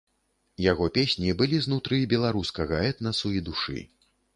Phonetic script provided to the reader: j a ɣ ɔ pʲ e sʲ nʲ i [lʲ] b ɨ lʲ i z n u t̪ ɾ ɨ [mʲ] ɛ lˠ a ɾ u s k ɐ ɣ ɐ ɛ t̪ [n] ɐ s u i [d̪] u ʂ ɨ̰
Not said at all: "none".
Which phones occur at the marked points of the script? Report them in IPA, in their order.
none, bʲ, n, d̪

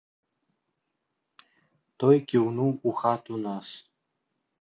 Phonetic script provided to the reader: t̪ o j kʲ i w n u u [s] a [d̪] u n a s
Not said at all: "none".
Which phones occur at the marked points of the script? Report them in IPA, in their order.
x, t̪

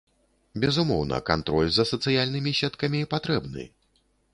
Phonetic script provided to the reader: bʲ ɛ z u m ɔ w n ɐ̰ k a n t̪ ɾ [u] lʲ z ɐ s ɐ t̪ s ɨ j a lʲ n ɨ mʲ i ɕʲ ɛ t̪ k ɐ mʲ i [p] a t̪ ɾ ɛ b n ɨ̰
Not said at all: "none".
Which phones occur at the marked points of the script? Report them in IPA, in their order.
ɔ, p

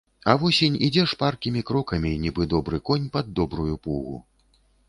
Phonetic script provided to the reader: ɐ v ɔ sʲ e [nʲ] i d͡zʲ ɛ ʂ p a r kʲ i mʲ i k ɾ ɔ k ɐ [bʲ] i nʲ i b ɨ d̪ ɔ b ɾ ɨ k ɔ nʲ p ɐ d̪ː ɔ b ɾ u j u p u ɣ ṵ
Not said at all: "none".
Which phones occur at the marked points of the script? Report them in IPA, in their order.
nʲ, mʲ

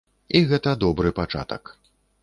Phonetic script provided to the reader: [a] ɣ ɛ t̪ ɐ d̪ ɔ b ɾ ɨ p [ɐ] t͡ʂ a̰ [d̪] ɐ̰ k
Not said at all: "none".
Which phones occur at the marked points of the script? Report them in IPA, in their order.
i, a, t̪

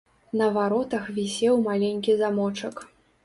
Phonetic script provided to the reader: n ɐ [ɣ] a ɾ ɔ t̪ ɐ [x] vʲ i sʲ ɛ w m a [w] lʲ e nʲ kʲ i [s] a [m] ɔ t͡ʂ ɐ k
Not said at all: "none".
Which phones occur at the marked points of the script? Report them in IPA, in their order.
v, x, none, z, m

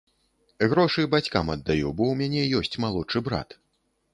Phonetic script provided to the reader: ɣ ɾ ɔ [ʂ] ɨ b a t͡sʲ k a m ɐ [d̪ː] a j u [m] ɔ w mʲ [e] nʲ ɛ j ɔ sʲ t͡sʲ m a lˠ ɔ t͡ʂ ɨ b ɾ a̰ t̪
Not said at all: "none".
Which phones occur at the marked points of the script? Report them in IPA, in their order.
ʂ, d̪ː, b, a

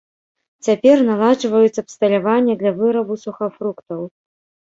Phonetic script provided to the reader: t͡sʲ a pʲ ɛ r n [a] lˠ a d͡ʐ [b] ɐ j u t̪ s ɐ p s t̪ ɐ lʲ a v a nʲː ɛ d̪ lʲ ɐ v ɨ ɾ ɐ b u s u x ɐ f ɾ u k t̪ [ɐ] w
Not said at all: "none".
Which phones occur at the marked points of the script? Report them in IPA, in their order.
a, v, ɐ

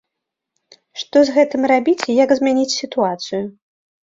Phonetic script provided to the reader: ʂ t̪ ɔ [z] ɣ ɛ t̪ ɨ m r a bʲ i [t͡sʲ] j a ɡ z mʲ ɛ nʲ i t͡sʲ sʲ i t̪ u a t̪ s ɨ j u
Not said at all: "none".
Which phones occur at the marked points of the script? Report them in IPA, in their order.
z, t͡sʲ

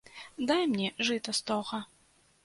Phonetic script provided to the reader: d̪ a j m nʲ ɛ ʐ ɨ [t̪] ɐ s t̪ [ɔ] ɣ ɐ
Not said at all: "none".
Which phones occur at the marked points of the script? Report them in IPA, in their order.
t̪, ɔ

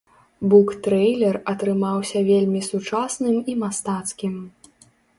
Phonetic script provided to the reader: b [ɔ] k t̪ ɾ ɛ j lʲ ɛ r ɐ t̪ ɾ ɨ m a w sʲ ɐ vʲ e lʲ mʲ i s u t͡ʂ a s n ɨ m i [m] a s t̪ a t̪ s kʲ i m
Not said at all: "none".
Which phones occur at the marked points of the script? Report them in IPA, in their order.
u, m

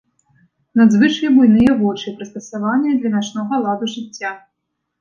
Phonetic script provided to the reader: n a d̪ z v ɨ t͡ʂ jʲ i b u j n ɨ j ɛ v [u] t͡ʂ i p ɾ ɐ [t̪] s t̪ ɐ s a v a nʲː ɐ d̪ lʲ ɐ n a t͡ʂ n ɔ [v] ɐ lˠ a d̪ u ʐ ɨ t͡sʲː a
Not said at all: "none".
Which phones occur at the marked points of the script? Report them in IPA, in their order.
ɔ, none, ɣ

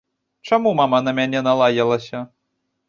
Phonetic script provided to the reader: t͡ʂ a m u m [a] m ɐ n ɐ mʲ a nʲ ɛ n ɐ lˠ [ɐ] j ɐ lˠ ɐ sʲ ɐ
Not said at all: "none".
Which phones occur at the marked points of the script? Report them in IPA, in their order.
a, a

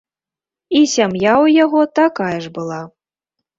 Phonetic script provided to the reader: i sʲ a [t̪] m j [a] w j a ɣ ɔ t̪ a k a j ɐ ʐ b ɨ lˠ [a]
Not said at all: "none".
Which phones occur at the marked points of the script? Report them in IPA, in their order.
none, a, a

